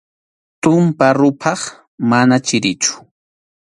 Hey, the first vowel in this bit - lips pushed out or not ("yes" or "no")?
yes